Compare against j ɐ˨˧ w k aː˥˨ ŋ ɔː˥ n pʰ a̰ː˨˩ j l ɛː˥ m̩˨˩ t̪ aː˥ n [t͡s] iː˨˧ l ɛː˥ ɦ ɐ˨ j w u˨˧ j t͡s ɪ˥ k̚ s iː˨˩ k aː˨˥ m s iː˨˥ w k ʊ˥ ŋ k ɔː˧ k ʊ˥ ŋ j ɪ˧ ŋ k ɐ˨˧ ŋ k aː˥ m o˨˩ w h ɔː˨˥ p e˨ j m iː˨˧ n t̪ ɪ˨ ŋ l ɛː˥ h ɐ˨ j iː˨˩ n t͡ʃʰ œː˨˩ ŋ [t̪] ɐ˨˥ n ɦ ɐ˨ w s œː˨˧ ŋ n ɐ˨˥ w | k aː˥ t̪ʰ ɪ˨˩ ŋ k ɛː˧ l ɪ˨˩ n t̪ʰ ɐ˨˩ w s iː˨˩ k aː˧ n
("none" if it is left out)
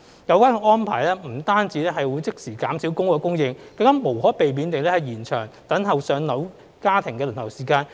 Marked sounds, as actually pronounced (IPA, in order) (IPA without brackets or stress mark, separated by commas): t͡s, t̪